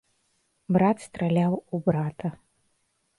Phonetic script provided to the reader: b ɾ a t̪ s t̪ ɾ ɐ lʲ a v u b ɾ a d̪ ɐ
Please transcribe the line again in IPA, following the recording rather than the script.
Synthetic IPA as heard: b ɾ a t̪ s t̪ ɾ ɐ lʲ a w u b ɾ a t̪ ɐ